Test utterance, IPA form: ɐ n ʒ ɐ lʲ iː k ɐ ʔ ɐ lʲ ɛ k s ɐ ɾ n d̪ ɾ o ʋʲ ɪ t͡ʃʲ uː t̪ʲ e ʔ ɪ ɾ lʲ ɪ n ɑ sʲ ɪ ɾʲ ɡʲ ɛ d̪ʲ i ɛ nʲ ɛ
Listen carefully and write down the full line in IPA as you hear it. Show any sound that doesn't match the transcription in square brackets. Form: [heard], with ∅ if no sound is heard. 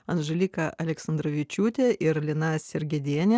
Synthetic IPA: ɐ n ʒ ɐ lʲ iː k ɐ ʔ ɐ lʲ ɛ k s ɐ [∅] n d̪ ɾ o ʋʲ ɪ t͡ʃʲ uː t̪ʲ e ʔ ɪ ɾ lʲ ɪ n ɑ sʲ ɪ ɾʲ ɡʲ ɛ d̪ʲ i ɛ nʲ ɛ